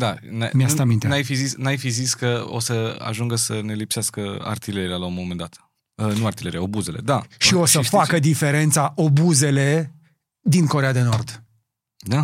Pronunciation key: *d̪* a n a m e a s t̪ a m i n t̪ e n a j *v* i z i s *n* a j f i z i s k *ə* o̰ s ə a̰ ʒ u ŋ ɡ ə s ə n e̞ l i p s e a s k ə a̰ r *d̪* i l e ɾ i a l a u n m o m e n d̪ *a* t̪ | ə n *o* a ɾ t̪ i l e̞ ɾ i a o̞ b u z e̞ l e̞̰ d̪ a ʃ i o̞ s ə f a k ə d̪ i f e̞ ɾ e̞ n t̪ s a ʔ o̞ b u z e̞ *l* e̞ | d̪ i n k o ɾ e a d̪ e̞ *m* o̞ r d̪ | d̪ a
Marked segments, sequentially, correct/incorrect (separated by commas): correct, incorrect, correct, correct, incorrect, correct, incorrect, correct, incorrect